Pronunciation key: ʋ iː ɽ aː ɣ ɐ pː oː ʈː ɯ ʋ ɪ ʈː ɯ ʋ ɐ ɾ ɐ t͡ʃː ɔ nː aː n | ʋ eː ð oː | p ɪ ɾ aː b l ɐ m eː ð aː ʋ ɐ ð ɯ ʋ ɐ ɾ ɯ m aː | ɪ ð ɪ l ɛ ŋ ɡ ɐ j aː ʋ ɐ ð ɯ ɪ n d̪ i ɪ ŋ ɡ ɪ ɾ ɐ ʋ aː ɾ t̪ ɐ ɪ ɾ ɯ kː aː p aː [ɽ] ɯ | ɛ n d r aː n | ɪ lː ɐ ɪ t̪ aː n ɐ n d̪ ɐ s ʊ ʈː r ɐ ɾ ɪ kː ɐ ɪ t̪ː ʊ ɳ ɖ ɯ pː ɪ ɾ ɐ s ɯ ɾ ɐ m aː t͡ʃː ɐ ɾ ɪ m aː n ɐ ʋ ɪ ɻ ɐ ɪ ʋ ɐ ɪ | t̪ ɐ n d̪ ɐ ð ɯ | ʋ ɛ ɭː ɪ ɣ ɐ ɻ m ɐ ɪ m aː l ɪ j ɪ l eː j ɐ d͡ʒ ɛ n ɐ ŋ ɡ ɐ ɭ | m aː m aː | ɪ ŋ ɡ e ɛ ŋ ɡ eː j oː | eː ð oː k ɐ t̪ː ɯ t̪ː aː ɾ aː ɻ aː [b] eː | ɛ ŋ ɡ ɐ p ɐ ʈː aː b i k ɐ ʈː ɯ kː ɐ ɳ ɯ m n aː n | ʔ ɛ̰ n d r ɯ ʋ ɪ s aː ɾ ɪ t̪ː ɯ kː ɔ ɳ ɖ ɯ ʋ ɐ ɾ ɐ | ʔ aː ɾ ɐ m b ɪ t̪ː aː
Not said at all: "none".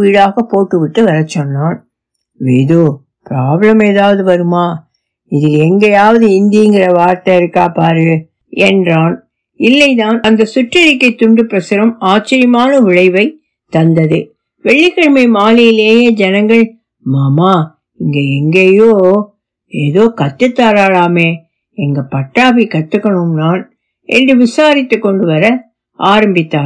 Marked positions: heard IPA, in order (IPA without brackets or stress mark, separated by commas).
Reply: ɾ, m